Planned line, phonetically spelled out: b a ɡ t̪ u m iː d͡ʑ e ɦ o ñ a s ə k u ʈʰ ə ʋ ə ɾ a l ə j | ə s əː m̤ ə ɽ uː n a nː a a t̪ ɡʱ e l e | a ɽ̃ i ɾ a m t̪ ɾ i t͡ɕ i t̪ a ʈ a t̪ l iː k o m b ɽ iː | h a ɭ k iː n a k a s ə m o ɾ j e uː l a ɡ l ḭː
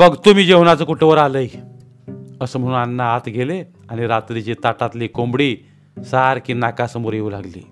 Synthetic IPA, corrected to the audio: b ə ɡ t̪ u m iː d͡ʑ e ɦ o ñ a t͡s ə k u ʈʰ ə ʋ ə ɾ a l ə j | ə s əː m̤ ə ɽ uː n a nː a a t̪ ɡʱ e l e | a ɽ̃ i ɾ a t̪ ɾ i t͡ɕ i t̪ a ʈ a t̪ l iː k o m b ɽ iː | s a ɾ k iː n a k a s ə m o ɾ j e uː l a ɡ l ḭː